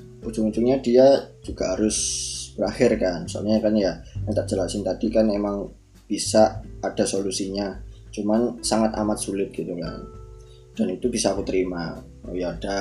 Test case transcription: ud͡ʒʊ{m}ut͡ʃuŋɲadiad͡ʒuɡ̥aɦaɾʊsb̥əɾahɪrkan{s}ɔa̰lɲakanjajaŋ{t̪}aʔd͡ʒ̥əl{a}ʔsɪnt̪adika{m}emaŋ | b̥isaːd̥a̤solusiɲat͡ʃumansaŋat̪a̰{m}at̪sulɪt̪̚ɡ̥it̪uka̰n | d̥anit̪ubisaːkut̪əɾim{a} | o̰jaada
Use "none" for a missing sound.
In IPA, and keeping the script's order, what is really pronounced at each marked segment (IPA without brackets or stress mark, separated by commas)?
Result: ŋ, s, t̪, a, n, m, a